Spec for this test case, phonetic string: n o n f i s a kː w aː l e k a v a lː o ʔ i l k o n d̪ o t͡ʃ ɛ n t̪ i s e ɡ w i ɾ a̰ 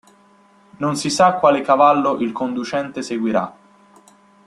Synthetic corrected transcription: n o n s i s a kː w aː l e k a v a lː o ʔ i l k o n d̪ u t͡ʃ ɛ n t̪ e s e ɡ w i ɾ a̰